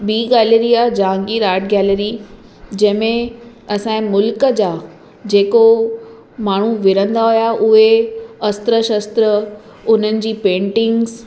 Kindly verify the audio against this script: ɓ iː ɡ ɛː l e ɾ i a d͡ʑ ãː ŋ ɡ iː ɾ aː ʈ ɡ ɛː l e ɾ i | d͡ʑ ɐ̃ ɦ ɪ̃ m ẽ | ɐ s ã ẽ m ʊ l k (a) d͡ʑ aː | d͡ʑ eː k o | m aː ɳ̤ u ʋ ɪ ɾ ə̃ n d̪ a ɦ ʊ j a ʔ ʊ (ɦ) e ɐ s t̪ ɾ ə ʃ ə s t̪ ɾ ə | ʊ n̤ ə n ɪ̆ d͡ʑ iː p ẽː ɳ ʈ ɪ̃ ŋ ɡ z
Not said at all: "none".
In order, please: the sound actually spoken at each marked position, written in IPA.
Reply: ə, ɦ

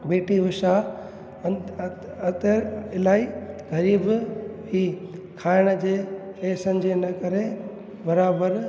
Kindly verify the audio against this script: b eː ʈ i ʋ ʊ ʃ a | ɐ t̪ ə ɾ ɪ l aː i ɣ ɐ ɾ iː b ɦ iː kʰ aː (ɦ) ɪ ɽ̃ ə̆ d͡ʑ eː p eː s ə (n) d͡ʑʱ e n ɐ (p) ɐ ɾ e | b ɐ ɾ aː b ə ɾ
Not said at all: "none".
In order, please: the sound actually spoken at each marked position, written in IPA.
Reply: none, n, k

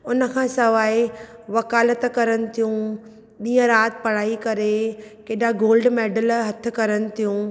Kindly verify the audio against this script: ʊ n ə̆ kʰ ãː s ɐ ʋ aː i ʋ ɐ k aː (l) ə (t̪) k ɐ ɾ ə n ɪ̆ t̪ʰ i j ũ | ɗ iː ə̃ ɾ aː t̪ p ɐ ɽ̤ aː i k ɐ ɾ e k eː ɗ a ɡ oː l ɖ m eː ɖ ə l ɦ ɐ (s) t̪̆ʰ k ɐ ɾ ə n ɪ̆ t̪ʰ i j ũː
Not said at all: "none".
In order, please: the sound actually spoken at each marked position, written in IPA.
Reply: l, t̪, none

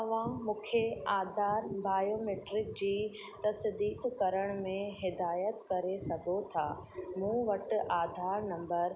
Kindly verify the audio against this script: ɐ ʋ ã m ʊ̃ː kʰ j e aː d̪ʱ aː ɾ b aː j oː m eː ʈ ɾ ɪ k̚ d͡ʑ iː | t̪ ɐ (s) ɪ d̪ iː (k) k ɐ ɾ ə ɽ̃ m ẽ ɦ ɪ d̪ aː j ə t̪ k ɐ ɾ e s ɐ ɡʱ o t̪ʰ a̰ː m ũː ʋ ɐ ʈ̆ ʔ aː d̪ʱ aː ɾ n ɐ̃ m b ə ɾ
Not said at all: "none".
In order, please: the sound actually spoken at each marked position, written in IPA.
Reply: s, k

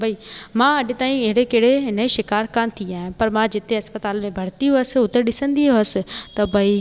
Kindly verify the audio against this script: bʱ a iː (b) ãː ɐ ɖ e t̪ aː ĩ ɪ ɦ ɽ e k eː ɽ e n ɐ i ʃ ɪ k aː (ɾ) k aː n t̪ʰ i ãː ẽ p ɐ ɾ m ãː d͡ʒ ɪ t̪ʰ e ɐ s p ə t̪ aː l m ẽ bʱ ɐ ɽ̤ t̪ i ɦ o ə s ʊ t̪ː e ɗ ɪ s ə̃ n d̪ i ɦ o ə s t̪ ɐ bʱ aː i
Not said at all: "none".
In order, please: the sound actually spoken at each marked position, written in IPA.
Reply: m, ɾ

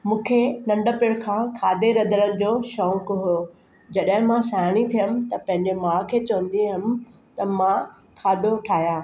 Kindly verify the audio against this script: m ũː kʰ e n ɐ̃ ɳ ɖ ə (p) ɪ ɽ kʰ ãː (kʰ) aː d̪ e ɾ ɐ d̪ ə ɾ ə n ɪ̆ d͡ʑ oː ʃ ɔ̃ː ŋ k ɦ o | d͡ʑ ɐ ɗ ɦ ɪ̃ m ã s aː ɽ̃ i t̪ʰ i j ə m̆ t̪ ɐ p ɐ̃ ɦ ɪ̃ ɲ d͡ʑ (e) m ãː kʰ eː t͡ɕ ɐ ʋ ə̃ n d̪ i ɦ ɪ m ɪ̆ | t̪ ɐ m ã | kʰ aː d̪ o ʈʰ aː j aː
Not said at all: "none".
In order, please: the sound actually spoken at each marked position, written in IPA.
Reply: p, kʰ, e

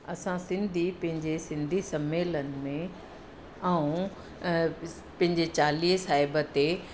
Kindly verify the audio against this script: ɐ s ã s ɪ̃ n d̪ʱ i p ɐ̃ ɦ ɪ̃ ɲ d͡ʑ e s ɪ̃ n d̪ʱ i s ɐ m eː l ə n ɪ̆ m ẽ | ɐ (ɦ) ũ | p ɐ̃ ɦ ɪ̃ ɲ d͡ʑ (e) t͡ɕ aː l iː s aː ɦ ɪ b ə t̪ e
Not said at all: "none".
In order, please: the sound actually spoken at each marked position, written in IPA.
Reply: none, e

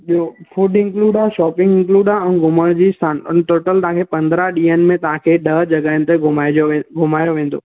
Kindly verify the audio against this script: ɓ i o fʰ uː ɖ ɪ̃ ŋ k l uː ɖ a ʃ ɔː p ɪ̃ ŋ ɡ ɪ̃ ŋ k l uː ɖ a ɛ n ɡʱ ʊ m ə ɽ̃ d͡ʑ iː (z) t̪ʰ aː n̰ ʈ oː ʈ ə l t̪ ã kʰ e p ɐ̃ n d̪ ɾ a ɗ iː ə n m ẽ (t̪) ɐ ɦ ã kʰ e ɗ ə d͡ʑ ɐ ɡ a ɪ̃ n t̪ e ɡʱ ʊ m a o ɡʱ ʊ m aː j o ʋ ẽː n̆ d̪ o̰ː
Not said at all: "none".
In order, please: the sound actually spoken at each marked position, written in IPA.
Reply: s, t̪

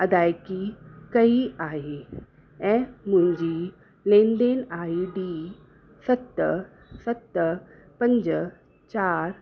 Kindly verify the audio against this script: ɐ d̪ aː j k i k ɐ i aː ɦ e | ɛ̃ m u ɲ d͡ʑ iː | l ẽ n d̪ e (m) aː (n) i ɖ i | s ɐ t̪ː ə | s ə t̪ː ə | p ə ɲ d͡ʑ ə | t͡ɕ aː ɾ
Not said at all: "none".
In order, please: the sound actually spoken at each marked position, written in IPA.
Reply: n, none

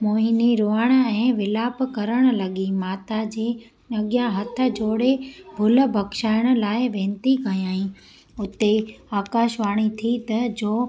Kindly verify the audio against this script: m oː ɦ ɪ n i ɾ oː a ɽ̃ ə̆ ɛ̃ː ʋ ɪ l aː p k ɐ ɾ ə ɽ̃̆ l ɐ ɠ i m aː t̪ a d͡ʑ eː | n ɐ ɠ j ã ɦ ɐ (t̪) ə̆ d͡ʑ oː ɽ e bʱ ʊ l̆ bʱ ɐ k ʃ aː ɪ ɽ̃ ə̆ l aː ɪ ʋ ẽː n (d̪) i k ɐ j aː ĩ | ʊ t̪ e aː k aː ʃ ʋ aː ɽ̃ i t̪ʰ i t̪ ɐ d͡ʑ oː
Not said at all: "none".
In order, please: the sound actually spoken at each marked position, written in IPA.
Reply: t̪ʰ, t̪

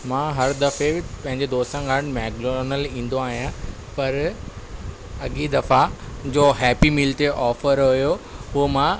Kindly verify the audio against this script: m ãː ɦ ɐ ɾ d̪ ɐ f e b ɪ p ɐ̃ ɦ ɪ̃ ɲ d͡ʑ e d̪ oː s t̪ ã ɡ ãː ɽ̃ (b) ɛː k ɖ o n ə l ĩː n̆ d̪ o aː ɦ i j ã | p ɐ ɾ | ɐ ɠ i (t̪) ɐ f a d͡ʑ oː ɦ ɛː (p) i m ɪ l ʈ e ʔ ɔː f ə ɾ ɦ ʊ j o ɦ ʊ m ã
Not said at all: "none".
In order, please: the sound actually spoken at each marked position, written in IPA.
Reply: m, d̪, p

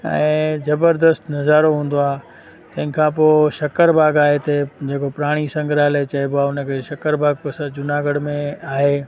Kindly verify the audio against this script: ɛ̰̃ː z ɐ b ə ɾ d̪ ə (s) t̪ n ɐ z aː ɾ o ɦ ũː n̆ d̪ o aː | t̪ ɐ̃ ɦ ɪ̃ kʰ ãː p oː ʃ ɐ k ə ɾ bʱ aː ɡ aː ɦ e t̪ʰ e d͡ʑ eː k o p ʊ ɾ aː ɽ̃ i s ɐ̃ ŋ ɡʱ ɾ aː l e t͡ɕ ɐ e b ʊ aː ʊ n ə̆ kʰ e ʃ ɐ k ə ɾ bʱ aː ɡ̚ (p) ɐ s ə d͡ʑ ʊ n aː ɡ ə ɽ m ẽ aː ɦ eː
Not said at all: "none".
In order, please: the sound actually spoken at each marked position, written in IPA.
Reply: s, p

